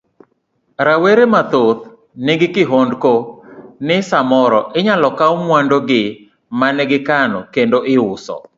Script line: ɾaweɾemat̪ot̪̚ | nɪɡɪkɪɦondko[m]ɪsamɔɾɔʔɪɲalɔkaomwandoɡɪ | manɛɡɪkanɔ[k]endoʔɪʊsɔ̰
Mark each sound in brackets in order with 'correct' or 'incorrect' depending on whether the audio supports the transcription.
incorrect: n, correct

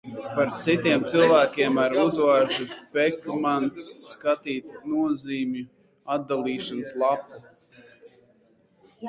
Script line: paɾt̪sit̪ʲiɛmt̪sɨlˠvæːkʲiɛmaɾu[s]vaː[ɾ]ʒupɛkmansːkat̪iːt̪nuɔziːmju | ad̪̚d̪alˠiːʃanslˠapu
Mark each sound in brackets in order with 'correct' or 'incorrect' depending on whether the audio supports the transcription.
incorrect: z, correct

